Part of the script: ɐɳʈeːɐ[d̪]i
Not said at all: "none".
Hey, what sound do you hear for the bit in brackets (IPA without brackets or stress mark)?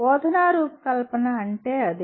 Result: d̪